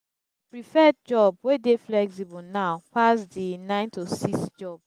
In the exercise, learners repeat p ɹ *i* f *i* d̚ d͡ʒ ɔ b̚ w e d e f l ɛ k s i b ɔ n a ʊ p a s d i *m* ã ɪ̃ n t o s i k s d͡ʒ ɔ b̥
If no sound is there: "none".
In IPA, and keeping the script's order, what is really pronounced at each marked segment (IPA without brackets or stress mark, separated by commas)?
i, ɛ, n